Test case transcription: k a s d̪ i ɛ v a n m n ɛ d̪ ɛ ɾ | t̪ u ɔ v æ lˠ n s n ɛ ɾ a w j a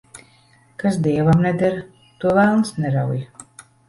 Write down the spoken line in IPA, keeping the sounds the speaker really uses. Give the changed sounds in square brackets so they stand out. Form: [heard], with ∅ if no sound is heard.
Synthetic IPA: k a s d̪ i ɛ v a [∅] m n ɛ d̪ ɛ ɾ | t̪ u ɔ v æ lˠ n s n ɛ ɾ a w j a